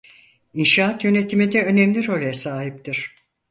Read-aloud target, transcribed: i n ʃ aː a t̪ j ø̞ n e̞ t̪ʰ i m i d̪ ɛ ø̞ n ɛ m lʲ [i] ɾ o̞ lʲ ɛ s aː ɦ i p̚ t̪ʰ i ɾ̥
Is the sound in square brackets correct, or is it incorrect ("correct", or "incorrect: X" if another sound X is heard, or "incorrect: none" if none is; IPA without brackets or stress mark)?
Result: correct